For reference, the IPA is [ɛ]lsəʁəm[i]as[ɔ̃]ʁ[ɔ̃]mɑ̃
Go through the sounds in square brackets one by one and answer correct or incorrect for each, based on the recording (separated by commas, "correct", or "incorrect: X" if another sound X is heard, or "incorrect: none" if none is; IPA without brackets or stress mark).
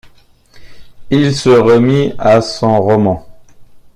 incorrect: i, correct, correct, incorrect: ɔ